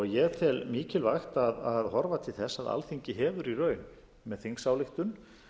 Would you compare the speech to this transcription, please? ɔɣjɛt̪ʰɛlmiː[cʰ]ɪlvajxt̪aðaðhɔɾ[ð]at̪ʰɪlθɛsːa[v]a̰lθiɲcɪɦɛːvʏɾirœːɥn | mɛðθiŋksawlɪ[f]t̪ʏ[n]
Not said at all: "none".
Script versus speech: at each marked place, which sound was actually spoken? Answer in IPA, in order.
c, v, ð, x, n

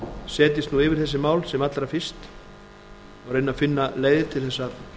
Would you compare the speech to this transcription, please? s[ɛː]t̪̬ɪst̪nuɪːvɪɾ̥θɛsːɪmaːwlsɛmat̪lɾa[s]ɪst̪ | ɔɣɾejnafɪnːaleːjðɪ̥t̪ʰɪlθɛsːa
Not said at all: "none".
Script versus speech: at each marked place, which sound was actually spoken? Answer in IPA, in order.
ɛː, f

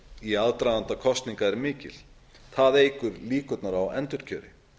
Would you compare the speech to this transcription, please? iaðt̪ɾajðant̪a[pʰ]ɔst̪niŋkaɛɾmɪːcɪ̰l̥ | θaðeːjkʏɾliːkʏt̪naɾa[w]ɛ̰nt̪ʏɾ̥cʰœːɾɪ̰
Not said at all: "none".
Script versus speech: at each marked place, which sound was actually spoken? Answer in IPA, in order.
kʰ, w

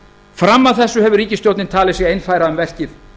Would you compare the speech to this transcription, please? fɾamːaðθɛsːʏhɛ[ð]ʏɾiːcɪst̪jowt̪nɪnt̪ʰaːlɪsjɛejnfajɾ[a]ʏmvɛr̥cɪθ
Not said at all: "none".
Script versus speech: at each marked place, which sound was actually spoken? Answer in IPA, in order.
v, a

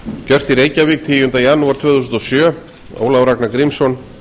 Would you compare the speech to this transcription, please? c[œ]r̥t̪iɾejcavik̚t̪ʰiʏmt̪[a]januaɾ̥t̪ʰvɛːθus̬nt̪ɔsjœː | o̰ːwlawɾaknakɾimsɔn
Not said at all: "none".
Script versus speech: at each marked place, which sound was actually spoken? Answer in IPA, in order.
œ, a

